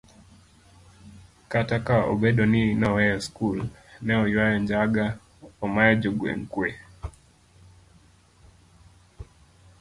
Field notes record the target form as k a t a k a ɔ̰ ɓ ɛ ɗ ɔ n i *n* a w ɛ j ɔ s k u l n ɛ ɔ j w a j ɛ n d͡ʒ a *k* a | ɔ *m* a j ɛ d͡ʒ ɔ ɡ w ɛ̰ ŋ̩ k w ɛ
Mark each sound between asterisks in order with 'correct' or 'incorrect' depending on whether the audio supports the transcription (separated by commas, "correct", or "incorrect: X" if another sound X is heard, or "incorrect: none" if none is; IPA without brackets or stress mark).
correct, incorrect: ɡ, correct